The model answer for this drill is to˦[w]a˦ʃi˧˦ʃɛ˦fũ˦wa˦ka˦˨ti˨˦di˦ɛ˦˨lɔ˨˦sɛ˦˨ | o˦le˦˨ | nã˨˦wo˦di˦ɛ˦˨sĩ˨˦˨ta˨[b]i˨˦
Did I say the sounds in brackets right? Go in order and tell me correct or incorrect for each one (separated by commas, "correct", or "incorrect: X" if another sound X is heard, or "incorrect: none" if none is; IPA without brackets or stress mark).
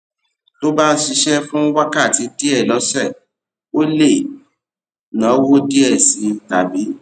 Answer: incorrect: b, correct